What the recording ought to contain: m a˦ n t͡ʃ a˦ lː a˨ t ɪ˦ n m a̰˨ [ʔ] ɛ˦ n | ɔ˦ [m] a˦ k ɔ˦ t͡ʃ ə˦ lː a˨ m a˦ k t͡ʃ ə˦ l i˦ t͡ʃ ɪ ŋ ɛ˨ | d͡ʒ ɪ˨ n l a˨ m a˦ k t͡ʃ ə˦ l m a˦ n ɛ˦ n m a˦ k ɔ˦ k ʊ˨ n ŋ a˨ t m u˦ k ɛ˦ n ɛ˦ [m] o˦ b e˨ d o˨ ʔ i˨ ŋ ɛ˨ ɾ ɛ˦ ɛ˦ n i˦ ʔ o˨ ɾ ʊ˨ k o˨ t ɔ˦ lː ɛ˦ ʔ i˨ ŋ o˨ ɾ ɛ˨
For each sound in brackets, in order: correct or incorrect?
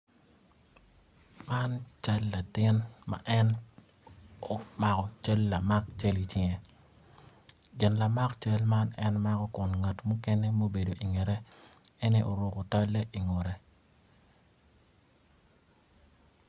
correct, correct, correct

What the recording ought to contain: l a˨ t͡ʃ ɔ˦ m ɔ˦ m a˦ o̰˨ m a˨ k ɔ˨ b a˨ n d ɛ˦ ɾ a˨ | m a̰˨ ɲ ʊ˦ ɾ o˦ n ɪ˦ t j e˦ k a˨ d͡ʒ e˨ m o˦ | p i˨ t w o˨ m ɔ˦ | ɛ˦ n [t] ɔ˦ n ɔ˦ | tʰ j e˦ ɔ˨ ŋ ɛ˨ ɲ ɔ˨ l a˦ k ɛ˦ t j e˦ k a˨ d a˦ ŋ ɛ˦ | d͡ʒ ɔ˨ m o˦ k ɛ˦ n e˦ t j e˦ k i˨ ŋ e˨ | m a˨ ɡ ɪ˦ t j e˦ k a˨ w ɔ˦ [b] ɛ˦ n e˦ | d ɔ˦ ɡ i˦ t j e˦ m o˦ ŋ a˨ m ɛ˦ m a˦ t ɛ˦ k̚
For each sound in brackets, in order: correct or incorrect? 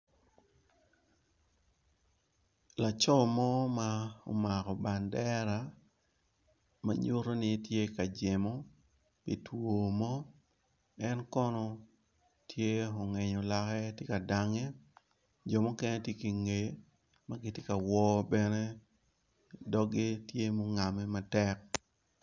incorrect: k, correct

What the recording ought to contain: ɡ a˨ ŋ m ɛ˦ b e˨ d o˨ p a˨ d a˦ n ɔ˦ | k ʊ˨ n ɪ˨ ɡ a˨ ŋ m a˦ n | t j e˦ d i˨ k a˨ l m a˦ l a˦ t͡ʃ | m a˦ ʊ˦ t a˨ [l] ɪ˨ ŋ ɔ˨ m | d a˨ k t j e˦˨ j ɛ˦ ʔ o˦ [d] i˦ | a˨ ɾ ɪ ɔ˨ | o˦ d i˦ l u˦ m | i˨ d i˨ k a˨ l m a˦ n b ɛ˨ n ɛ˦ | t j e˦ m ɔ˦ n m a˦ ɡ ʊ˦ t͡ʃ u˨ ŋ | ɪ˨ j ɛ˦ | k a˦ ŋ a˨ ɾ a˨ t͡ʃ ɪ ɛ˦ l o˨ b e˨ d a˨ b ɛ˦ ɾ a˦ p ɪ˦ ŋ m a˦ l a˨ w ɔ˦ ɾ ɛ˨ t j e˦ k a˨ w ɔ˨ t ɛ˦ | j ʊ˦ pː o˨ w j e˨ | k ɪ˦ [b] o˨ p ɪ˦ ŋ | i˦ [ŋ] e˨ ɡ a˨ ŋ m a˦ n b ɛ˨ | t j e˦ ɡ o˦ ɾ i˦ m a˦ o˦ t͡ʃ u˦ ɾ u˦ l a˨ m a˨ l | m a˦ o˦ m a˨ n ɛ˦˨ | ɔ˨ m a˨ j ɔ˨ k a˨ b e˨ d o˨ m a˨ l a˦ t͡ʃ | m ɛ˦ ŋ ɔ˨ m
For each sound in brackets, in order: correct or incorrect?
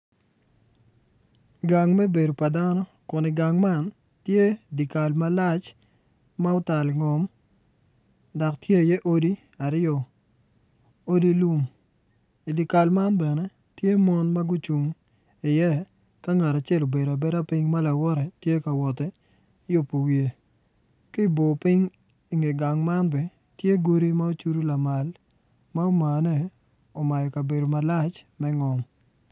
correct, correct, correct, correct

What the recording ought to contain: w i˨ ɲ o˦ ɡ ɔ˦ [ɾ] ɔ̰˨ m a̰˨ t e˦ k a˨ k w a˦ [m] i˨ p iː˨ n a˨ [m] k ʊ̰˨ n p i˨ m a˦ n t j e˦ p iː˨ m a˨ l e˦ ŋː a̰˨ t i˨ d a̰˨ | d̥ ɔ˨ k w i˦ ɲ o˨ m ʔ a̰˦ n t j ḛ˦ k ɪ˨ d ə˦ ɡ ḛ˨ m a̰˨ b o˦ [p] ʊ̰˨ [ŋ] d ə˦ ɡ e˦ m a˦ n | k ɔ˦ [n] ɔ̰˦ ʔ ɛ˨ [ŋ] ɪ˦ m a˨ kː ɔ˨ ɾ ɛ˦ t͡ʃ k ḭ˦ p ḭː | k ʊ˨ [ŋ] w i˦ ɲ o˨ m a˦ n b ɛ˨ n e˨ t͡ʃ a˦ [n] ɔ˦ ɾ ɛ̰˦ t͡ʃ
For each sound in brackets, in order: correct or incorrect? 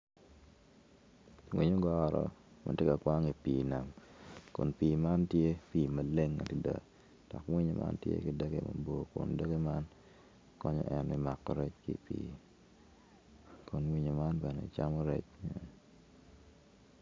correct, incorrect: ŋ, correct, incorrect: k, incorrect: n, incorrect: ɲ, incorrect: n, incorrect: n, incorrect: m

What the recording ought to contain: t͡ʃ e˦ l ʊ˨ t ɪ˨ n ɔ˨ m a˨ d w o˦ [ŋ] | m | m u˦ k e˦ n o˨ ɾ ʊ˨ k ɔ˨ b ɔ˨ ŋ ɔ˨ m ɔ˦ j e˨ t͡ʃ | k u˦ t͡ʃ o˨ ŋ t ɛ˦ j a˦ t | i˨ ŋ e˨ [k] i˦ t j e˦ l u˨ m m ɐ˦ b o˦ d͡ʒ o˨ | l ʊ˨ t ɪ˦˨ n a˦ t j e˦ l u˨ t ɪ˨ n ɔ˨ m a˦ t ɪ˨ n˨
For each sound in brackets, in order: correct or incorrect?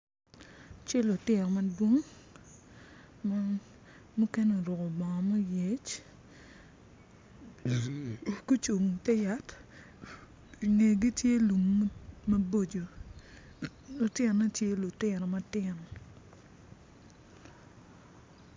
correct, incorrect: ɡ

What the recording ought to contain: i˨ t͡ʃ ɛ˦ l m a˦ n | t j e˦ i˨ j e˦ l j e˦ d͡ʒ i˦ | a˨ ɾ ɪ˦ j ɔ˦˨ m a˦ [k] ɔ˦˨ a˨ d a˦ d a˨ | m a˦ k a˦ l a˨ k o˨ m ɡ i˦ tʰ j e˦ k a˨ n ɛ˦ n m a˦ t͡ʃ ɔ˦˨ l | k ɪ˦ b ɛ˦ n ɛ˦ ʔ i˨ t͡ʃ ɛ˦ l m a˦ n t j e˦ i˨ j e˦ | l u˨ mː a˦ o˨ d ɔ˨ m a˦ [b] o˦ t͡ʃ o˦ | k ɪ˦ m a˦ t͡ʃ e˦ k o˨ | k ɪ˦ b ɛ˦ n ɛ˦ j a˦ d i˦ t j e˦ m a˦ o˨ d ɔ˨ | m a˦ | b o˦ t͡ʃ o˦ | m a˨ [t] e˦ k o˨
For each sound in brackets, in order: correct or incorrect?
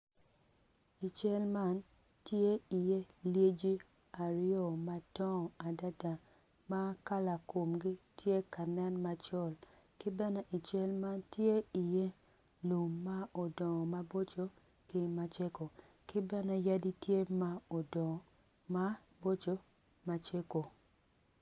incorrect: t, correct, incorrect: t͡ʃ

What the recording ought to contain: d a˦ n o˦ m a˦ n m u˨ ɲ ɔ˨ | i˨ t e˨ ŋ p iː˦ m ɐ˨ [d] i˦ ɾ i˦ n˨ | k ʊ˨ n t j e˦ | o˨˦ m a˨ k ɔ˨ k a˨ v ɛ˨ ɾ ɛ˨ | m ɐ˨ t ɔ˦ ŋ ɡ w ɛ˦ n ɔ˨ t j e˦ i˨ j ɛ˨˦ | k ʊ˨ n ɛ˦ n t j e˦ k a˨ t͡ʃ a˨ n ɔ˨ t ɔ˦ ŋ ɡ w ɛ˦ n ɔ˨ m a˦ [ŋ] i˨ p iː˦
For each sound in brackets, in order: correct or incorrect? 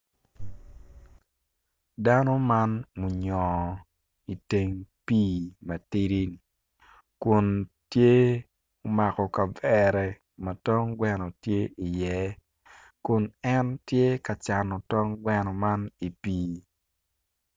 incorrect: t, incorrect: n

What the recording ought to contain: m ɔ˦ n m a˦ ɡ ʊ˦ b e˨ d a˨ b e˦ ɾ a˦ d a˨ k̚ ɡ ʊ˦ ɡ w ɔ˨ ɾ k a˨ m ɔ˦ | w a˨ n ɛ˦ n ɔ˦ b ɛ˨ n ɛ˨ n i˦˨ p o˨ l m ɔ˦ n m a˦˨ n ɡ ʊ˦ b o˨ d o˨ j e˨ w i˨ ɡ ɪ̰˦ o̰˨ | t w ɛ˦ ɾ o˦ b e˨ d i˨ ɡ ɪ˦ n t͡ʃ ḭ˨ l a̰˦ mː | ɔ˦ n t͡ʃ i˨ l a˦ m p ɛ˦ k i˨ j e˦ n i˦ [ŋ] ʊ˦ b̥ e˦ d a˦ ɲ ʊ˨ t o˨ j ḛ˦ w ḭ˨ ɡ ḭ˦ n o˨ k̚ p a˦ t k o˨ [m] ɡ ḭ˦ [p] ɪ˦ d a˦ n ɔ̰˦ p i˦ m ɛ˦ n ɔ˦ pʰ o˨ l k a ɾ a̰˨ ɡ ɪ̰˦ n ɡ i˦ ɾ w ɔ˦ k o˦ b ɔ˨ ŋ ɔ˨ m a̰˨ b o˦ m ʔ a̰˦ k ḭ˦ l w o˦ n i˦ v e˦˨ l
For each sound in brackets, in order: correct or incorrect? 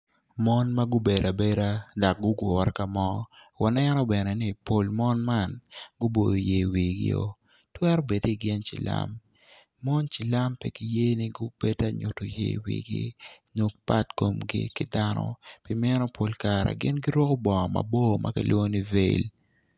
incorrect: ɡ, correct, incorrect: k

